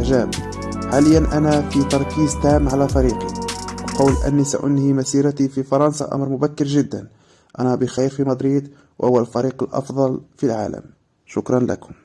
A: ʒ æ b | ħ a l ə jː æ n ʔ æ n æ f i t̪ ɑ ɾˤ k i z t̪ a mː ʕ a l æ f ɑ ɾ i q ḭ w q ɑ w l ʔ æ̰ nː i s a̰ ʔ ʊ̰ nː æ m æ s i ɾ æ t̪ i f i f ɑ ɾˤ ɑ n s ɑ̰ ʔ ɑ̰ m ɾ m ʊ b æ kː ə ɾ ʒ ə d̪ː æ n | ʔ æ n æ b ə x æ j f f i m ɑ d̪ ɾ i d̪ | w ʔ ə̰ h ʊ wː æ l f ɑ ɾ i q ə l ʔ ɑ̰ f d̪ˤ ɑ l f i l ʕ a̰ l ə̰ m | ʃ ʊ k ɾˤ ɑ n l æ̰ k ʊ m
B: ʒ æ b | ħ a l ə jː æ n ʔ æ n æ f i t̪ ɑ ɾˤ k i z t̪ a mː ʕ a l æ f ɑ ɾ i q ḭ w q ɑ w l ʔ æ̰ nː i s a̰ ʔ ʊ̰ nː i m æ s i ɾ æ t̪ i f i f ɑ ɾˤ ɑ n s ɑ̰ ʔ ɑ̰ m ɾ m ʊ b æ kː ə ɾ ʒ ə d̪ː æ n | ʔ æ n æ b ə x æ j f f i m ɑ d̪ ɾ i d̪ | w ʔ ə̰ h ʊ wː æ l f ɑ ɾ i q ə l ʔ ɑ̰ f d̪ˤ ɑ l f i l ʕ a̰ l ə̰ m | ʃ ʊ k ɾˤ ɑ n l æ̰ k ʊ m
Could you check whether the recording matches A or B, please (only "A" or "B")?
B